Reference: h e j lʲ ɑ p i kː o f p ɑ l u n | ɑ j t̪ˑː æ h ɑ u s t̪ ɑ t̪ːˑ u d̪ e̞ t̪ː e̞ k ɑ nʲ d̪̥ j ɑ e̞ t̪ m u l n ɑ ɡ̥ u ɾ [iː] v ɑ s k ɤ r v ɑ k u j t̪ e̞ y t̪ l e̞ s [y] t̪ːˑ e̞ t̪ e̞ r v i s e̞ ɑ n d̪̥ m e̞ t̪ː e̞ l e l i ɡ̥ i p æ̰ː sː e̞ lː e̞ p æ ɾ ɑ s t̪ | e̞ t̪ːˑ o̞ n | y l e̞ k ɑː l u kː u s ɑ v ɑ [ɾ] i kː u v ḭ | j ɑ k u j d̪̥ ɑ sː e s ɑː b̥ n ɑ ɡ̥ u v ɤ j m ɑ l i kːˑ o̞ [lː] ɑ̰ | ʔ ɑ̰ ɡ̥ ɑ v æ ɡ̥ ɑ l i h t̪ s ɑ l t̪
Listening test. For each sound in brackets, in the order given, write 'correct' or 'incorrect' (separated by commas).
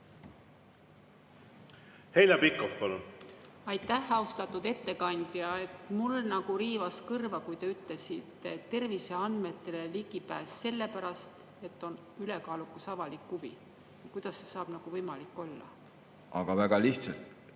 correct, incorrect, incorrect, correct